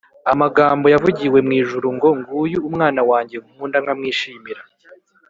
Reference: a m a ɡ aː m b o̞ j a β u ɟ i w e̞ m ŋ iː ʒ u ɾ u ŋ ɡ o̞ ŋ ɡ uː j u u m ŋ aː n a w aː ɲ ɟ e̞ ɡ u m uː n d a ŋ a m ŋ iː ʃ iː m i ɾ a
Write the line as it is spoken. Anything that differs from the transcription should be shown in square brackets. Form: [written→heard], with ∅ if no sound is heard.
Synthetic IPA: a m a ɡ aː m b o̞ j a [β→v] u ɟ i w e̞ m ŋ iː ʒ u ɾ u ŋ ɡ o̞ ŋ ɡ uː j u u m ŋ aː n a w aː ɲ ɟ e̞ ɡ u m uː n d a ŋ a m ŋ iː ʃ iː m i ɾ a